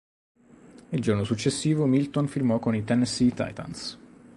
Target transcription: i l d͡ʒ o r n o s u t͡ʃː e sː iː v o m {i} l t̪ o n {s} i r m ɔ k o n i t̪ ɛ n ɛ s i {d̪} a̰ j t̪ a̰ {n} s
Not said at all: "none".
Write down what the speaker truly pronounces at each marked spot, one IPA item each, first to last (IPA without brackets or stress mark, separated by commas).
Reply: i, f, t̪, n